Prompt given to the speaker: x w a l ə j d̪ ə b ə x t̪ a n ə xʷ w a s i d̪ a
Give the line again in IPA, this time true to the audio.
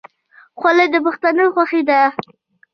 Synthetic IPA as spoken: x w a l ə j d̪ ə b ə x t̪ a n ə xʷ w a x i d̪ a